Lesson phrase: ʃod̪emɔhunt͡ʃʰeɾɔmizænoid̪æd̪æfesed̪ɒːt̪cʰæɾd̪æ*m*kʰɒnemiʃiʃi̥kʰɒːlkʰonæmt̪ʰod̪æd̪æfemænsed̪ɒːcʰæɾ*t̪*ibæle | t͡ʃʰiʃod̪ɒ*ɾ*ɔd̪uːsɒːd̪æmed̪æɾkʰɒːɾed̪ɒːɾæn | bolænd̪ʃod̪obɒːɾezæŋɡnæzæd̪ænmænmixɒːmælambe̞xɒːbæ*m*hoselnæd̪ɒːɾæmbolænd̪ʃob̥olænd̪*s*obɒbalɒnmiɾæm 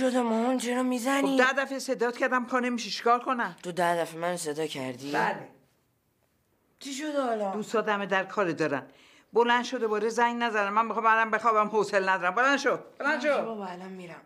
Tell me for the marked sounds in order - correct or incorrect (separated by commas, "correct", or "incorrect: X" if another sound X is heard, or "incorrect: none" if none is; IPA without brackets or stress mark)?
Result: correct, incorrect: d̪, incorrect: l, correct, incorrect: ʃ